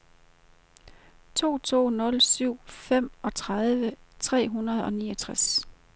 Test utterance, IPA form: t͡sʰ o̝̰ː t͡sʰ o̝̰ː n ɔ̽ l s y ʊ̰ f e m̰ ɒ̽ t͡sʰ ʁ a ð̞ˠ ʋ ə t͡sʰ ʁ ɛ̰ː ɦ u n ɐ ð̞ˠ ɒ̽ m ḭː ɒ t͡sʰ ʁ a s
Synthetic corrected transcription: t͡sʰ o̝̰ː t͡sʰ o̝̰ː n ɔ̽ l s y ʊ̰ f e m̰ ɒ̽ t͡sʰ ʁ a ð̞ˠ ʋ ə t͡sʰ ʁ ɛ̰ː ɦ u n ɐ ð̞ˠ ɒ̽ n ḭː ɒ t͡sʰ ʁ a s

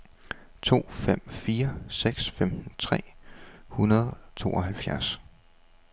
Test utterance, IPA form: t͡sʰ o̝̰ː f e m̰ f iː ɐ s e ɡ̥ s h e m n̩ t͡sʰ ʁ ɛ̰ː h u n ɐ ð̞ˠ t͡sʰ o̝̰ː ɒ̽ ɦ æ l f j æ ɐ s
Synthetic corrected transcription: t͡sʰ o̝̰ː f e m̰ f iː ɐ s e ɡ̥ s f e m n̩ t͡sʰ ʁ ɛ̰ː h u n ɐ ð̞ˠ t͡sʰ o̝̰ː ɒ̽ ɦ æ l f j æ ɐ s

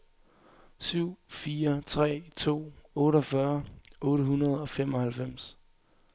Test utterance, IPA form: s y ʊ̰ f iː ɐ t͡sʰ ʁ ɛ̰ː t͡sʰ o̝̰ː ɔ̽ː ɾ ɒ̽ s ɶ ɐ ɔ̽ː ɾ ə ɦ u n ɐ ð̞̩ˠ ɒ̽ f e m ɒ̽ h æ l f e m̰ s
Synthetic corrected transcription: s y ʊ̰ f iː ɐ t͡sʰ ʁ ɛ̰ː t͡sʰ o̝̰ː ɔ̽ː ɾ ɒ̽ f ɶ ɐ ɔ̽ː ɾ ə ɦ u n ɐ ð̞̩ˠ ɒ̽ f e m ɒ̽ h æ l f e m̰ s

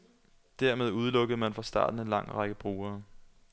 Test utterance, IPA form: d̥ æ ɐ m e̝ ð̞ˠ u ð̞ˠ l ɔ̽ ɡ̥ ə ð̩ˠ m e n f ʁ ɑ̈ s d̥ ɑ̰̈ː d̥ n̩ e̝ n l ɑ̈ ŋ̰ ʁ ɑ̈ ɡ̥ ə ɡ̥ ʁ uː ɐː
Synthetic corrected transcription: d̥ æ ɐ m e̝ ð̞ˠ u ð̞ˠ l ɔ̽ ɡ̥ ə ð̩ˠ m æ n f ʁ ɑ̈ s d̥ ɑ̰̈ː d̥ n̩ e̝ n l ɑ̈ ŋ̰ ʁ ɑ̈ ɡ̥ ə b̥ ʁ uː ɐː

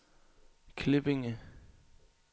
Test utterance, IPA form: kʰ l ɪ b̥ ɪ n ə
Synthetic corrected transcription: kʰ l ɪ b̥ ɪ ŋ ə

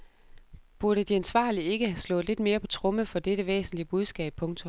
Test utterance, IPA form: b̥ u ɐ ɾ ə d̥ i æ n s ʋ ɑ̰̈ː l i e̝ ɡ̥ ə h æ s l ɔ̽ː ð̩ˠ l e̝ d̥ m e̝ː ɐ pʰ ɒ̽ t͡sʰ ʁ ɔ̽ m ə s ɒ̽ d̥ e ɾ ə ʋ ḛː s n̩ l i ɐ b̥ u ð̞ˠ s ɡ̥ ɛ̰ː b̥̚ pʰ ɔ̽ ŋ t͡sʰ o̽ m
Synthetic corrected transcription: b̥ u ɐ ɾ ə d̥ i æ n s ʋ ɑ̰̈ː l i e̝ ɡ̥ ə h æ s l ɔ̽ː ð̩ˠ l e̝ d̥ m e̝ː ɐ pʰ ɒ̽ t͡sʰ ʁ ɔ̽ m ə f ɒ̽ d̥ e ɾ ə ʋ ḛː s n̩ l i ə b̥ u ð̞ˠ s ɡ̥ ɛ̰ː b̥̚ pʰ ɔ̽ ŋ t͡sʰ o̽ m

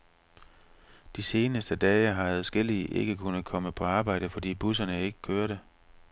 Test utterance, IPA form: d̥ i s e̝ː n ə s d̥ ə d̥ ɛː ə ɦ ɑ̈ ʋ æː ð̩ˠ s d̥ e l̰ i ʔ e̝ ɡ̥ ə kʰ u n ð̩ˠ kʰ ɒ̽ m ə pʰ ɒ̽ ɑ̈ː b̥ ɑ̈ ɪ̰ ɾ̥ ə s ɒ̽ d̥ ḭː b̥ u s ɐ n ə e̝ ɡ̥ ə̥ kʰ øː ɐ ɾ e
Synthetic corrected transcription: d̥ i s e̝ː n ə s d̥ ə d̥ ɛː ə ɦ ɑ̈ ʋ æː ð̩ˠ s ɡ̥ e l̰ i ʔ e̝ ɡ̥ ə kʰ u n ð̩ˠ kʰ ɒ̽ m ə pʰ ɒ̽ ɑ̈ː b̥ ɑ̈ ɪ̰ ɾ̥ ə f ɒ̽ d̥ ḭː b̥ u s ɐ n ə e̝ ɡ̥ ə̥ kʰ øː ɐ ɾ e

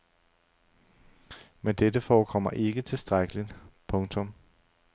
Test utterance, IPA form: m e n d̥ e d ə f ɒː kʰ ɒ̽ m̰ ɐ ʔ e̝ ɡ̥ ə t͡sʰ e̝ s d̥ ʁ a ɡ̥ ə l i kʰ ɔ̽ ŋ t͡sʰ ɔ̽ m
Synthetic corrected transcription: m e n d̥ e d ə f ɒː kʰ ɒ̽ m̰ ɐ ʔ e̝ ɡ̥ ə t͡sʰ e̝ s d̥ ʁ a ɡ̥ ə l i pʰ ɔ̽ ŋ t͡sʰ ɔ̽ m

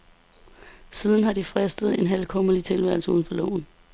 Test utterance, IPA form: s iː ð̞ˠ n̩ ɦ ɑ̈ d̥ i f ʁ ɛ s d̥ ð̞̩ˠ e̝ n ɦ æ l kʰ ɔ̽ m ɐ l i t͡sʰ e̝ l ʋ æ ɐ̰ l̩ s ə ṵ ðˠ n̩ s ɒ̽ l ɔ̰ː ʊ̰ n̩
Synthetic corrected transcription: s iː ð̞ˠ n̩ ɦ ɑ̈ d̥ i f ʁ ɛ s d̥ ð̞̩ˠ e̝ n ɦ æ l kʰ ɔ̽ m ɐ l i t͡sʰ e̝ l ʋ æ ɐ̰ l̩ s ə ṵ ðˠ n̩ f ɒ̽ l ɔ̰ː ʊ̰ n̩

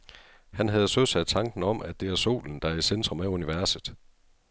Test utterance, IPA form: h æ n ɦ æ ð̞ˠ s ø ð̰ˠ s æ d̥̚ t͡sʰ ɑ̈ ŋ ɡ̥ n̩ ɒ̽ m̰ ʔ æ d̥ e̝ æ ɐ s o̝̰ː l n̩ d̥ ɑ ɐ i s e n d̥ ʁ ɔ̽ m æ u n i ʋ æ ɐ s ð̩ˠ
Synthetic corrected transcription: h æ n ɦ æ ð̞ˠ s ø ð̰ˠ s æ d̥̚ t͡sʰ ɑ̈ ŋ ɡ̥ n̩ ɒ̽ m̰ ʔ æ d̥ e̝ æ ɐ s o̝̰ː l n̩ d̥ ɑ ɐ i s e n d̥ ʁ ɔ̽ m æ u n i ʋ æ ɐ s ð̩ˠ

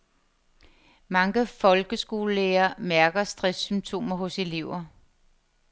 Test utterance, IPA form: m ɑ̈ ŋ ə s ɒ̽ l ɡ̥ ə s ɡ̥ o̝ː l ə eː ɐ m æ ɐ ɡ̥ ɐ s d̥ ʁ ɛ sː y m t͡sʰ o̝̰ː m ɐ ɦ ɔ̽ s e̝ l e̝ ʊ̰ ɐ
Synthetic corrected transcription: m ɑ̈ ŋ ə f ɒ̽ l ɡ̥ ə s ɡ̥ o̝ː l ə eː ɐ m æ ɐ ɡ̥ ɐ s d̥ ʁ ɛ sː y m t͡sʰ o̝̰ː m ɐ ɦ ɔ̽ s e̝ l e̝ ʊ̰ ɐ

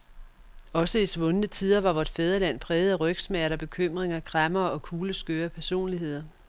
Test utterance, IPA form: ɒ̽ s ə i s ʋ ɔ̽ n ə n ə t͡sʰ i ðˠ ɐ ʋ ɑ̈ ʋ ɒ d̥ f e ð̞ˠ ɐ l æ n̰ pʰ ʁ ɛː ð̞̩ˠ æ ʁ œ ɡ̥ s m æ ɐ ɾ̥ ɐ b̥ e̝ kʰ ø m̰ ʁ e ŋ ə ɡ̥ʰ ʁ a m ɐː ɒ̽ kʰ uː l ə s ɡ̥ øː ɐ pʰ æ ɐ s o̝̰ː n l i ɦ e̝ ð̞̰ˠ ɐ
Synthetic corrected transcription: ɒ̽ s ə i s ʋ ɔ̽ n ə n ə t͡sʰ i ðˠ ɐ ʋ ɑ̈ ʋ ɒ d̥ f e ð̞ˠ ɐ l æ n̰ pʰ ʁ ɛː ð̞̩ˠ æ ʁ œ ɡ̥ s m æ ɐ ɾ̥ ɐ b̥ e̝ kʰ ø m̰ ʁ e ŋ ɐ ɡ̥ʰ ʁ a m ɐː ɒ̽ kʰ uː l ə s ɡ̥ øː ɐ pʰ æ ɐ s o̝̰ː n l i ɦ e̝ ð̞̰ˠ ɐ

